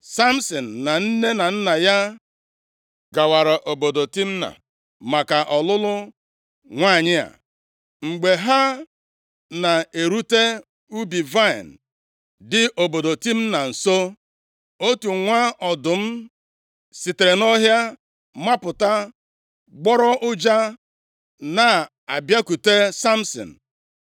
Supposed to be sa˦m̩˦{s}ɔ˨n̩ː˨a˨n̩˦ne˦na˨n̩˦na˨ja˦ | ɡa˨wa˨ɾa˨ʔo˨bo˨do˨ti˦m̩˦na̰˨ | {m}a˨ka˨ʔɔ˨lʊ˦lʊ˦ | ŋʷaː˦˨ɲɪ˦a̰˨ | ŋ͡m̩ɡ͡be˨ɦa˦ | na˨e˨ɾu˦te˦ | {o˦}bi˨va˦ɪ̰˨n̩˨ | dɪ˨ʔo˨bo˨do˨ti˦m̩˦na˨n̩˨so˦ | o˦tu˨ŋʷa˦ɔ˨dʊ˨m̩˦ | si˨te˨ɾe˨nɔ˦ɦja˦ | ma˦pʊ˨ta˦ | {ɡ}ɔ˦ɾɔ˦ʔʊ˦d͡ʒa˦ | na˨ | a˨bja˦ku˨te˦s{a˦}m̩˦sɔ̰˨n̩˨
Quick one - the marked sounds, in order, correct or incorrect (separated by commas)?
correct, correct, incorrect, incorrect, correct